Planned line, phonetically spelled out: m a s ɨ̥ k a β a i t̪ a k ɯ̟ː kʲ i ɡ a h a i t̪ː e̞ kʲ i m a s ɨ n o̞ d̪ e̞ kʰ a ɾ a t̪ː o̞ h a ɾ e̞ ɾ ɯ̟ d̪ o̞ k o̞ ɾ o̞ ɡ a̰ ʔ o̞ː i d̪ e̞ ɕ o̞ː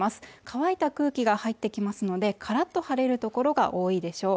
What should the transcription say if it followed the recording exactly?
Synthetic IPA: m a s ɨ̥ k a β a i t̪ a k ɯ̟ː kʲ i ɡ a h a i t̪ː e̞ kʲ i m a s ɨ n o̞ d̪ e̞ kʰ a ɾ a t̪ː o̞ h a ɾ e̞ ɾ ɯ̟ t̪ o̞ k o̞ ɾ o̞ ɡ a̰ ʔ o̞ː i d̪ e̞ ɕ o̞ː